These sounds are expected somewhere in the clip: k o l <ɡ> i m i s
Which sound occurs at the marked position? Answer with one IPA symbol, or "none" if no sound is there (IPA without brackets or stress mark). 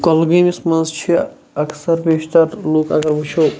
ɡ